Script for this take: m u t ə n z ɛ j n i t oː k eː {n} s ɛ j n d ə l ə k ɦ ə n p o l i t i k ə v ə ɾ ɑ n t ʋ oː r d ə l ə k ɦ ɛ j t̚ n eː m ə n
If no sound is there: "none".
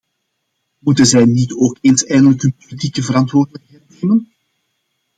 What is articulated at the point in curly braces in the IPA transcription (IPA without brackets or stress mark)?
n